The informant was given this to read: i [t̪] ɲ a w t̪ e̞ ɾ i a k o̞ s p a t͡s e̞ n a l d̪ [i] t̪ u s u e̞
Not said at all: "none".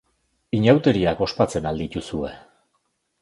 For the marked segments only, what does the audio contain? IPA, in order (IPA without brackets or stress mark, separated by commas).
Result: none, i